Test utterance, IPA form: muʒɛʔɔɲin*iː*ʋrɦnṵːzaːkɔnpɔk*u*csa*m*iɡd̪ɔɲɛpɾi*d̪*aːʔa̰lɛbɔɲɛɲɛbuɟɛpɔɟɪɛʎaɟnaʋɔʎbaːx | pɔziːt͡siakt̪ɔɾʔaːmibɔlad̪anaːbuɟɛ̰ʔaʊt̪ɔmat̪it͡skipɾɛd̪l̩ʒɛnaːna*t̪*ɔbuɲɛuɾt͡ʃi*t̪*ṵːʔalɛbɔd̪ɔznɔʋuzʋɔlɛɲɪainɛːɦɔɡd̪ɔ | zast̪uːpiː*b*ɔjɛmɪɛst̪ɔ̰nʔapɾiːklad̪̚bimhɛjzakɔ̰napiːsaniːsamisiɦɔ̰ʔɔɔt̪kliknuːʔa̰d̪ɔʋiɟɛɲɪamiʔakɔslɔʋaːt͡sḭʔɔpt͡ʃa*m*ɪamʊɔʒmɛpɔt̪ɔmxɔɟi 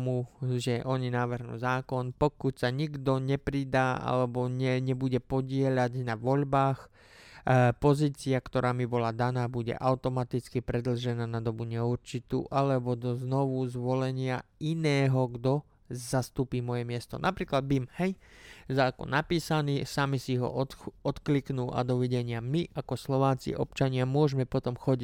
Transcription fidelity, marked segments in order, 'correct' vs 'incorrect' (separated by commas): incorrect, correct, incorrect, correct, incorrect, correct, incorrect, incorrect